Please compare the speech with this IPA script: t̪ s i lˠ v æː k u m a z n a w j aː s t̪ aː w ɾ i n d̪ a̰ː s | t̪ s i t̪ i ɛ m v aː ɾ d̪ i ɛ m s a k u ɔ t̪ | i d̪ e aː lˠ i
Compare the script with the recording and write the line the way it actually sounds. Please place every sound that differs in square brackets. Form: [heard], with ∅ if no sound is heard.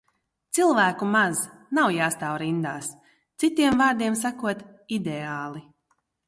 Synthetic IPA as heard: t̪ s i lˠ v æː k u m a z n a w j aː s t̪ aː w ɾ i n d̪ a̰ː s | t̪ s i t̪ i ɛ m v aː ɾ d̪ i ɛ m s a k u ɔ t̪ | i d̪ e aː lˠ i